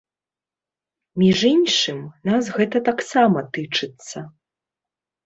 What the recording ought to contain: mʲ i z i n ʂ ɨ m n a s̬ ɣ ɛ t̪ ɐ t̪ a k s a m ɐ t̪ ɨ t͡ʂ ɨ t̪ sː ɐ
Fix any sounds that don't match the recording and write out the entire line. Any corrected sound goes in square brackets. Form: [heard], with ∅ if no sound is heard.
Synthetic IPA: mʲ i [ʐ] i n ʂ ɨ m n a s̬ ɣ ɛ t̪ ɐ t̪ a k s a m ɐ t̪ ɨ t͡ʂ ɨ t̪ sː ɐ